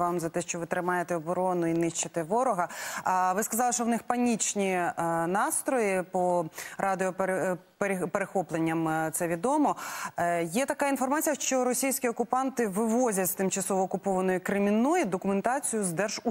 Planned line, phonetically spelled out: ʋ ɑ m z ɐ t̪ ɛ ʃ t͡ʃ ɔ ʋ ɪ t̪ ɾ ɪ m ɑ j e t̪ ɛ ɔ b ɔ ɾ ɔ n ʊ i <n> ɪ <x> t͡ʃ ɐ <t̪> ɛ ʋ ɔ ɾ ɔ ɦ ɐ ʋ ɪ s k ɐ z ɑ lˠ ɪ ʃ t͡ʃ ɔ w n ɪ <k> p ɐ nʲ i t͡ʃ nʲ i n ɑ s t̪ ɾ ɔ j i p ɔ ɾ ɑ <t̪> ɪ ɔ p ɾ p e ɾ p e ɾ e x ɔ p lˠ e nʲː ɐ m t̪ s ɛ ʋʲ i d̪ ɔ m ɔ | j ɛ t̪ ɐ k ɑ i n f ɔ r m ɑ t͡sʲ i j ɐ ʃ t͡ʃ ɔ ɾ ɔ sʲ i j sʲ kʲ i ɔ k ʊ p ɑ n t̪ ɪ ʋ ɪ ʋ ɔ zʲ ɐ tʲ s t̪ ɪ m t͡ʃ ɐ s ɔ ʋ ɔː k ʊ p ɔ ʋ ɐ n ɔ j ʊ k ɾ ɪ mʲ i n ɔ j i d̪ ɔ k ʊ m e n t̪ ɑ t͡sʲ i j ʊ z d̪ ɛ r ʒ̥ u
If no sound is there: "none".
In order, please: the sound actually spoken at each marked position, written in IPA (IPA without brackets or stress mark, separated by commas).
n, ʃ, t̪, x, d̪